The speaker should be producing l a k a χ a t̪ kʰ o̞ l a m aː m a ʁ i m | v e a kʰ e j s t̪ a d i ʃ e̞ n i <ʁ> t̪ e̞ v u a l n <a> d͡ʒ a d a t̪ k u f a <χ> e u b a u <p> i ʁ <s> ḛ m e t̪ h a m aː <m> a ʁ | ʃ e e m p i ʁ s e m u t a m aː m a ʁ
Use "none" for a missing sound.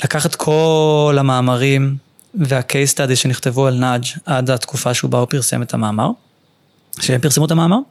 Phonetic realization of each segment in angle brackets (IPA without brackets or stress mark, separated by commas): χ, a, ʃ, p, s, m